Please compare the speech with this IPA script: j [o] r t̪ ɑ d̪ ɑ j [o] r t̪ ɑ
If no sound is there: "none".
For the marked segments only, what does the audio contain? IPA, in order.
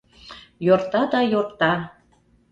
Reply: o, o

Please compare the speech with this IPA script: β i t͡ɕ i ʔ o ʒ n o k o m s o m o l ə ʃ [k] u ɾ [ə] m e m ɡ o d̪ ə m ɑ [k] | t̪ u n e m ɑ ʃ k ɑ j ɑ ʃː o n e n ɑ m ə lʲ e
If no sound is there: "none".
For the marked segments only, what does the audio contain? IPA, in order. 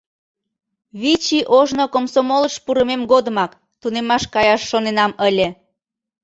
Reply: p, ə, k

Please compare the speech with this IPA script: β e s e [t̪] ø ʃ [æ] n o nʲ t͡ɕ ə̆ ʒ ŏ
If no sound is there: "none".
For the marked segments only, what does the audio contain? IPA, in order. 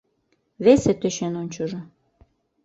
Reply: t̪, e

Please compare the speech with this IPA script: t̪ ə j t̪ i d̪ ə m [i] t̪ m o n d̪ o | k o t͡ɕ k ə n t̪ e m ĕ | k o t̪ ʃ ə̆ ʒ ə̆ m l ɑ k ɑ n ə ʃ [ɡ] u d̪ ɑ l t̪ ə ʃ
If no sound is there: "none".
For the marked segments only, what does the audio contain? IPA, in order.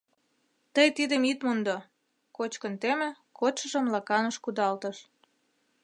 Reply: i, k

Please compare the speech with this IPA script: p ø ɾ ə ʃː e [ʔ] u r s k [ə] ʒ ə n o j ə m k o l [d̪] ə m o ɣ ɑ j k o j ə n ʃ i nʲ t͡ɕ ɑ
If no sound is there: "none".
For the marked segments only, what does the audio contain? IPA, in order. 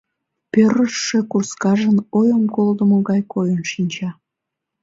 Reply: k, ɑ, d̪

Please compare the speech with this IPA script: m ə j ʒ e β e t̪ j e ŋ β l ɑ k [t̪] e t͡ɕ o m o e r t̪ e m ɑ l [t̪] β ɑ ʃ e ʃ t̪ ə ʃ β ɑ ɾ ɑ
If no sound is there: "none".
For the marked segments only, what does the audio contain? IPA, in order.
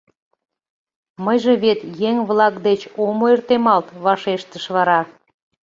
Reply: d̪, t̪

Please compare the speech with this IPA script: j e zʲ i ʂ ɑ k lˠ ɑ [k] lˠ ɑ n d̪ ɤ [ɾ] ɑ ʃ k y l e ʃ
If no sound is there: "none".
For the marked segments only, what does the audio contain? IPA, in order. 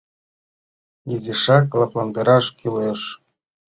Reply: p, ɾ

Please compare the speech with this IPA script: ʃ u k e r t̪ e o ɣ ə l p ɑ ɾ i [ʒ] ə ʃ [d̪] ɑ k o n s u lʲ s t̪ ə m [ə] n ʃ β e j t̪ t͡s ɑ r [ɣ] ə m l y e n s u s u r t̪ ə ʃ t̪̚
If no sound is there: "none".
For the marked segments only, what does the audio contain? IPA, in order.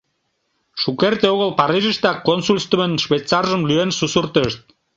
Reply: ʒ, t̪, ə, ʒ

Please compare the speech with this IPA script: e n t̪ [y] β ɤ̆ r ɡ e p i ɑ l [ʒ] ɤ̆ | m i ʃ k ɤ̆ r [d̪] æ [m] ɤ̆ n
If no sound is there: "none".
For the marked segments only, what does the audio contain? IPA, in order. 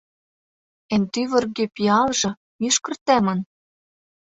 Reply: y, ʒ, t̪, m

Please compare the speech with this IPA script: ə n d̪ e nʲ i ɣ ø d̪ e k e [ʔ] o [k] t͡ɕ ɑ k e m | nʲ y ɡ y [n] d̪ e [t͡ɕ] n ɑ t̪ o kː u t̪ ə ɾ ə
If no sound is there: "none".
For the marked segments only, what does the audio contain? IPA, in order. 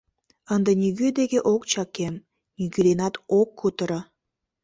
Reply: ʔ, k, none, none

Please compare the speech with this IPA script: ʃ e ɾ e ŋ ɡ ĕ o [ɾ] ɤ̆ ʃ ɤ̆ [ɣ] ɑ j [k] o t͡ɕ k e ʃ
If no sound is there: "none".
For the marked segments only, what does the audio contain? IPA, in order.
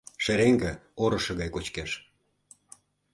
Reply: ɾ, ɣ, k

